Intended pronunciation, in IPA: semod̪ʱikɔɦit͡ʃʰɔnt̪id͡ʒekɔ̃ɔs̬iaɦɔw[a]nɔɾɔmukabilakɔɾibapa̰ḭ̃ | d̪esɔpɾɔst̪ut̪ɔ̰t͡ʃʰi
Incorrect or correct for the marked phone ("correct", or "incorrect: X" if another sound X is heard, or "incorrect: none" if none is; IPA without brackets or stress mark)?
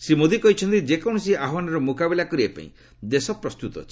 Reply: correct